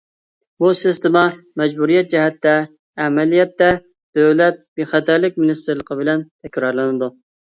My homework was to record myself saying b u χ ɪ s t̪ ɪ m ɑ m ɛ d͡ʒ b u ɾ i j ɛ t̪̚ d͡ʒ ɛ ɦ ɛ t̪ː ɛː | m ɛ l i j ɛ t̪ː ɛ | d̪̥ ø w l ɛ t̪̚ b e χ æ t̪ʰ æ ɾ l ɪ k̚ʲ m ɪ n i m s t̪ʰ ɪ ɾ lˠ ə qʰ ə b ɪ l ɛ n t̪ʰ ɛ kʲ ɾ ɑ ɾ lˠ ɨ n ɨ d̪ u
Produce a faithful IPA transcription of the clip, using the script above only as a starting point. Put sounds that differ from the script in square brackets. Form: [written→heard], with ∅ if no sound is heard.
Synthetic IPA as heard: b u [χ→s] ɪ s t̪ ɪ m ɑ m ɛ d͡ʒ b u ɾ i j ɛ t̪̚ d͡ʒ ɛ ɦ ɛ t̪ː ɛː | m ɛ l i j ɛ t̪ː ɛ | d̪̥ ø w l ɛ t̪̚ b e χ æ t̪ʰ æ ɾ l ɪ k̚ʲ m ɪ n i [m→∅] s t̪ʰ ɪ ɾ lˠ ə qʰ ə b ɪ l ɛ n t̪ʰ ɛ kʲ ɾ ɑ ɾ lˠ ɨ n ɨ d̪ u